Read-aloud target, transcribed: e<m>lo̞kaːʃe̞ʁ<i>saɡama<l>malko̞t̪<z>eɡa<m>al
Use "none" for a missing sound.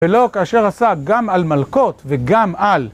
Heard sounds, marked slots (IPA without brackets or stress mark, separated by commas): none, a, l, v, m